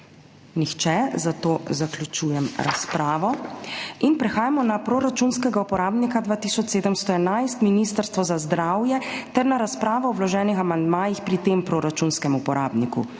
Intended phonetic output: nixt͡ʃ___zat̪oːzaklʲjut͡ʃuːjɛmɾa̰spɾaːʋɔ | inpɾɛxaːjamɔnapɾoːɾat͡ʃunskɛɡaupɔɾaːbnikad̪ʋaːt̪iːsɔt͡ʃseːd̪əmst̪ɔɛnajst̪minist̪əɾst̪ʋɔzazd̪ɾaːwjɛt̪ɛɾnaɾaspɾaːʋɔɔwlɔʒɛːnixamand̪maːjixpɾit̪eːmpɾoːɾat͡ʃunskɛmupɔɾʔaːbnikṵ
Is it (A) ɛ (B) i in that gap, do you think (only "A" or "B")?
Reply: A